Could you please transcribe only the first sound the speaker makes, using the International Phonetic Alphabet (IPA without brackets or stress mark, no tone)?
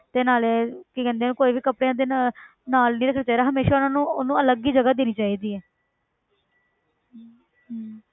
t̪